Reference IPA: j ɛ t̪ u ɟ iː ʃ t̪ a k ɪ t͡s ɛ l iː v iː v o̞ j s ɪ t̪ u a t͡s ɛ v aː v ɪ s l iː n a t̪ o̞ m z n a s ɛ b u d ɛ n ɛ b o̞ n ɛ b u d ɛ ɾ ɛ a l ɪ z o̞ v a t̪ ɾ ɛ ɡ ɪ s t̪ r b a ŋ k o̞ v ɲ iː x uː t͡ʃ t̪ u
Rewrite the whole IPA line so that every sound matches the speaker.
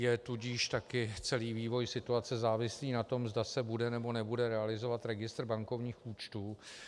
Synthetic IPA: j ɛ t̪ u ɟ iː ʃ t̪ a k ɪ t͡s ɛ l iː v iː v o̞ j s ɪ t̪ u a t͡s ɛ z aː v ɪ s l iː n a t̪ o̞ m z d a s ɛ b u d ɛ n ɛ b o̞ n ɛ b u d ɛ ɾ ɛ a l ɪ z o̞ v a t̪ ɾ ɛ ɡ ɪ s t̪ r b a ŋ k o̞ v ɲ iː x uː t͡ʃ t̪ uː